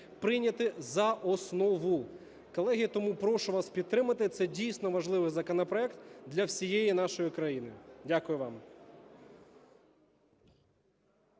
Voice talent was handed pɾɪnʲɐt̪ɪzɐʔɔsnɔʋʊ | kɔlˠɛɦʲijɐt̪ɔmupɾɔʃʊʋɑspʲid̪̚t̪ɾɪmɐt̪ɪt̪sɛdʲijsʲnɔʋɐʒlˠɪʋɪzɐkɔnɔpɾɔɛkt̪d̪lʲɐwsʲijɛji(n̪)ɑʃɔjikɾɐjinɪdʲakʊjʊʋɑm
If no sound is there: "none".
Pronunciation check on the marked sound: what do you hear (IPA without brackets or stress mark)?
n̪